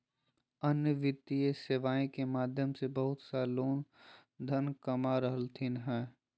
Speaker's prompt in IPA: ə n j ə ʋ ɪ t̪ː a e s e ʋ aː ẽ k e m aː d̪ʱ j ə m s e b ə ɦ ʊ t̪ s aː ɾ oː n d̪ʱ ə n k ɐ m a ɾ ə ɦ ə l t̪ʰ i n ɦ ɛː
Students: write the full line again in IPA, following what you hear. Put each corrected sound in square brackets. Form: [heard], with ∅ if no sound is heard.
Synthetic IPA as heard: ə n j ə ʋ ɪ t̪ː [i] e s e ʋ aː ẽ k e m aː d̪ʱ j ə m s e b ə ɦ ʊ t̪ s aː [l] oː n d̪ʱ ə n k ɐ m a ɾ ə ɦ ə l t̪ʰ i n ɦ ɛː